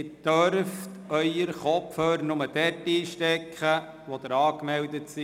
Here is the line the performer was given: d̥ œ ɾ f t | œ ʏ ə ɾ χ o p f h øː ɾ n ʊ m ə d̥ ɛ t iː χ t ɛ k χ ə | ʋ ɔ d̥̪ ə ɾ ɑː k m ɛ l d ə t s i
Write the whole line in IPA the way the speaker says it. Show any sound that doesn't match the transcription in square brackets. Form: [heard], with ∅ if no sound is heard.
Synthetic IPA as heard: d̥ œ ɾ f t | œ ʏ ə ɾ χ [ɔ] p f h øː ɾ n ʊ m ə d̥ ɛ t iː [ʃ] t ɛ k χ ə | ʋ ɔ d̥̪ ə ɾ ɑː k m ɛ l d ə t s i